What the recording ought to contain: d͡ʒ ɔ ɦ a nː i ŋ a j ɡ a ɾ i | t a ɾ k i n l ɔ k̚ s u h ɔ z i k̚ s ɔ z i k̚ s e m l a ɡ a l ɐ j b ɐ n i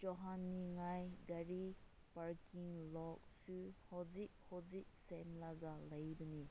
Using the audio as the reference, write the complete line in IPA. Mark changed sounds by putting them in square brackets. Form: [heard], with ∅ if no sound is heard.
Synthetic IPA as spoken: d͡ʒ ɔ ɦ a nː i ŋ a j ɡ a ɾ i | [p] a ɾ k i [ŋ] l ɔ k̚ s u h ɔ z i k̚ [h] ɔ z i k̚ s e m l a ɡ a l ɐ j b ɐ n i